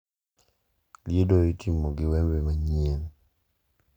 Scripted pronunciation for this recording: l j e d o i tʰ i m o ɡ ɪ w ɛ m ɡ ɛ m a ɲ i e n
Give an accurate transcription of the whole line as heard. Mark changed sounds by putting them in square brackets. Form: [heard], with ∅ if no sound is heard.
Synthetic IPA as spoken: l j e d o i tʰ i m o ɡ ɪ w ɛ m [b] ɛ m a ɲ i e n